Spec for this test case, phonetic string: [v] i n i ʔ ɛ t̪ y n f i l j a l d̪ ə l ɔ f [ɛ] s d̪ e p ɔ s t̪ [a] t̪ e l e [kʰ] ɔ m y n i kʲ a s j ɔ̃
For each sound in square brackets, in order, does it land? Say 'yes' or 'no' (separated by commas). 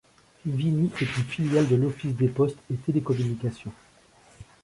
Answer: yes, no, no, no